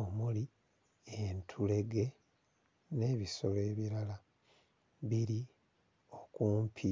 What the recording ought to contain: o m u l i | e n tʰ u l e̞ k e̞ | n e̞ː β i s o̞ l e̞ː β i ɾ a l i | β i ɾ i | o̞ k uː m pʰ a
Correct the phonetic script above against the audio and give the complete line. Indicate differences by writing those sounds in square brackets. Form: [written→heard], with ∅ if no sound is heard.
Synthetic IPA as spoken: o m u l i | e n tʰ u l e̞ [k→ɡ] e̞ | n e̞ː β i s o̞ l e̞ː β i ɾ a l [i→a] | β i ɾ i | o̞ k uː m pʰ [a→i]

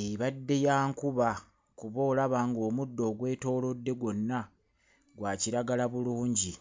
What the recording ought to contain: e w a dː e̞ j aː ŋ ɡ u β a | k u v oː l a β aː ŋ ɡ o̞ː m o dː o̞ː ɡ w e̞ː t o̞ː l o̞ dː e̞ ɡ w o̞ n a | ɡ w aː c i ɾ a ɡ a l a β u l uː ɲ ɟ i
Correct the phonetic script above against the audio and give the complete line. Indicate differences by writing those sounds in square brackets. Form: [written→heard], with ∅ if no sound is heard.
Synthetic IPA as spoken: e [w→β] a dː e̞ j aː ŋ [ɡ→k] u β a | k u [v→β] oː l a β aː ŋ ɡ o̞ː m [o→u] dː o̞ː ɡ w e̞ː t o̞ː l o̞ dː e̞ ɡ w o̞ [n→nː] a | ɡ w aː c i ɾ a ɡ a l a β u l uː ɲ ɟ i

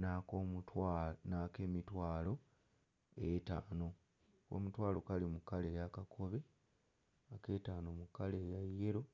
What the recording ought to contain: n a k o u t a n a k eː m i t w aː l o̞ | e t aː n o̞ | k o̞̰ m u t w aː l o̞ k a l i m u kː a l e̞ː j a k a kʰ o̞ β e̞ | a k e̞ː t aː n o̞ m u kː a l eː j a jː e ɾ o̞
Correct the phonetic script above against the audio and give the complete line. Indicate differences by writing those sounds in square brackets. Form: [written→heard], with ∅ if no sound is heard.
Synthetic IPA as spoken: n a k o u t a n a k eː m i t w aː l o̞ | e t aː n o̞ | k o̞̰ m u t w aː l o̞ k a l i m u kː a l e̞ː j a k a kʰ o̞ β e̞ | a k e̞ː t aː n o̞ m u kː a l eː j a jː e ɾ o̞

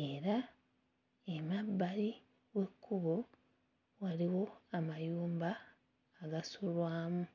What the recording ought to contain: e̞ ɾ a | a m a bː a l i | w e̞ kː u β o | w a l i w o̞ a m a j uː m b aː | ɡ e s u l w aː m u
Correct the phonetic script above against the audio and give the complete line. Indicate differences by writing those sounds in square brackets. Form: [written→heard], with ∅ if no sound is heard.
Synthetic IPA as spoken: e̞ ɾ a | [a→e] m a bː a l i | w e̞ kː u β o | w a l i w o̞ a m a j uː m b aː | ɡ [e→a] s u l w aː m u

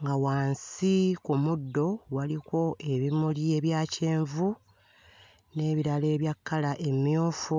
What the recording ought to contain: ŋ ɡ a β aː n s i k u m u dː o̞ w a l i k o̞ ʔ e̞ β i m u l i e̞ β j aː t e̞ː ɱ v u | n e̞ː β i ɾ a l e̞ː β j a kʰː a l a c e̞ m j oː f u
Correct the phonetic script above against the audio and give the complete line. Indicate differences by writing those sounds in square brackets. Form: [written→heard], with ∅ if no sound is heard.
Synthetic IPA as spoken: ŋ ɡ a [β→w] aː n s i k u m u dː o̞ w a l i k o̞ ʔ e̞ β i m u l i e̞ β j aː [t→c] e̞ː ɱ v u | n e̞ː β i ɾ a l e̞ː β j a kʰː a l a [c→ʔ] e̞ m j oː f u

